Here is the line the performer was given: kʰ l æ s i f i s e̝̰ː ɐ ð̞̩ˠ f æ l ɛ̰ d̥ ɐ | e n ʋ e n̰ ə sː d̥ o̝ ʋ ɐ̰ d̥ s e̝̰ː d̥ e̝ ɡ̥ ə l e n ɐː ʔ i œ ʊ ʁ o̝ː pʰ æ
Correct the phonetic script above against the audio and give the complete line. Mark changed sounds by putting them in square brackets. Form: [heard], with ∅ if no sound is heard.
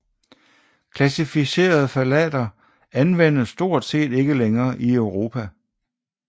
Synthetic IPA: kʰ l æ s i f i s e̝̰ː ɐ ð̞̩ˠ f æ l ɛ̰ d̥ ɐ | [æ] n ʋ e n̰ ə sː d̥ o̝ [∅] ɐ̰ d̥ s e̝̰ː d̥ e̝ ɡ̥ ə l e [ŋ] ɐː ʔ i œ ʊ ʁ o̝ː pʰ æ